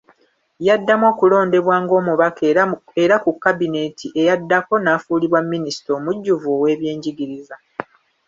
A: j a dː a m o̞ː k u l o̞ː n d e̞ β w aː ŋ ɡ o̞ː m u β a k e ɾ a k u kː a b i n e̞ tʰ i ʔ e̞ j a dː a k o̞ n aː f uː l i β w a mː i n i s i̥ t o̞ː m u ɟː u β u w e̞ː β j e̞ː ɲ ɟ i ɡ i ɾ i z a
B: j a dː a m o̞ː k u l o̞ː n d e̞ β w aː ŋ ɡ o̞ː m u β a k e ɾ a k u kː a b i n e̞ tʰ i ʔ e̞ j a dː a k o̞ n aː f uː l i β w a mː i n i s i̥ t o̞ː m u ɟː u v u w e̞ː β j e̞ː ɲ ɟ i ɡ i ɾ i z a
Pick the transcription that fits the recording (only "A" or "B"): B